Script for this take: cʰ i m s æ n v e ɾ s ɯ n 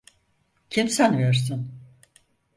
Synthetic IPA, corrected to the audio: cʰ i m s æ n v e ɾ s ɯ n